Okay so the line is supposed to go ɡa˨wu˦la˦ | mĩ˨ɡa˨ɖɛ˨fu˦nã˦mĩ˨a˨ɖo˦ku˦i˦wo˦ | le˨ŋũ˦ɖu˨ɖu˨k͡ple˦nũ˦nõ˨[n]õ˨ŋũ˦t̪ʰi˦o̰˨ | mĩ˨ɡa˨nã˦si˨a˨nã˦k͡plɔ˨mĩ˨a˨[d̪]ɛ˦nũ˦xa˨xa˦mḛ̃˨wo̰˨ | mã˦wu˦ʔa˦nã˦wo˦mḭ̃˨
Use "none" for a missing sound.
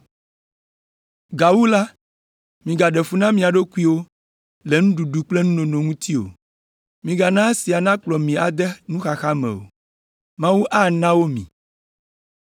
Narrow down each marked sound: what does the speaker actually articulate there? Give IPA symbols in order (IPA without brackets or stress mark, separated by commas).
n, d̪